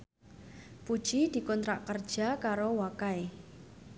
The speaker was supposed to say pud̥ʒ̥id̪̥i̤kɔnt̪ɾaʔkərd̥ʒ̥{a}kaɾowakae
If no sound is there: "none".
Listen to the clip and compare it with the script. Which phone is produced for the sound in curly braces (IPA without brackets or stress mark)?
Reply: a